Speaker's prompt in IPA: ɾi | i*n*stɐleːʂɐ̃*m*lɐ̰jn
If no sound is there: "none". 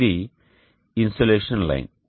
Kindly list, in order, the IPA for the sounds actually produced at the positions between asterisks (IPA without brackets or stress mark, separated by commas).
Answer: n, n